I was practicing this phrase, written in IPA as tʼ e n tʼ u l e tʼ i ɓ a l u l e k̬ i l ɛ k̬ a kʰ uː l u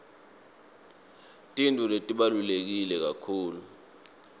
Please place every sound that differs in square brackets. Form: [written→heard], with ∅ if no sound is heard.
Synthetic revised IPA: tʼ [e→i] n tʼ u l e tʼ i ɓ a l u l e k̬ i l ɛ k̬ a kʰ uː l u